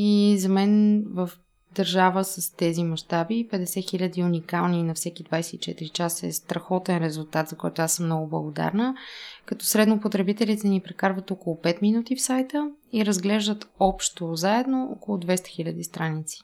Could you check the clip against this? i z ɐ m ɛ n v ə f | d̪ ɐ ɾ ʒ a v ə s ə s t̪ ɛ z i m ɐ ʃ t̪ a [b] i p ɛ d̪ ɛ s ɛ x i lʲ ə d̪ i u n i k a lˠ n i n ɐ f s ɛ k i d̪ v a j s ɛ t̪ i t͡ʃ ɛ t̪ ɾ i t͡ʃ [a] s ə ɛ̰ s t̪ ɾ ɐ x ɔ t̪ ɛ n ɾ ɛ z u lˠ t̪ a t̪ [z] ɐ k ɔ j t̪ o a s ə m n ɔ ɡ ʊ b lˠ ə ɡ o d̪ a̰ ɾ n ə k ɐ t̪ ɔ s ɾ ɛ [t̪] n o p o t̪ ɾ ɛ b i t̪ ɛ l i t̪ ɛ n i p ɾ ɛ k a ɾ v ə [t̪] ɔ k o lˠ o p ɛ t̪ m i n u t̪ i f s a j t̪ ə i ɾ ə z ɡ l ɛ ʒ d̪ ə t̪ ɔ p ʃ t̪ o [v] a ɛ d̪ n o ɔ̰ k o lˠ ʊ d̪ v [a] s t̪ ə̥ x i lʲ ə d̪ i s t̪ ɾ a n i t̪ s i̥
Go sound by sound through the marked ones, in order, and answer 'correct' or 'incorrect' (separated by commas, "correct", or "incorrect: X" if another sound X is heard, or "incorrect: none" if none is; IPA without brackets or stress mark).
correct, correct, correct, incorrect: d̪, correct, incorrect: z, incorrect: ɛ